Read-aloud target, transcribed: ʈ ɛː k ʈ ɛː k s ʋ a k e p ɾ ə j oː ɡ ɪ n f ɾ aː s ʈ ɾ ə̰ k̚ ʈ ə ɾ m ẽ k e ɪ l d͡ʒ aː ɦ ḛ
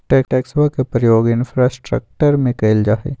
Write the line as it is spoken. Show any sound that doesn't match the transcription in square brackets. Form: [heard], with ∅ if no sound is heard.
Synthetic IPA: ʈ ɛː k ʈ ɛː k s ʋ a k e p ɾ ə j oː ɡ ɪ n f ɾ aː s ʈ ɾ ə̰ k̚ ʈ ə ɾ m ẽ k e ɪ l d͡ʒ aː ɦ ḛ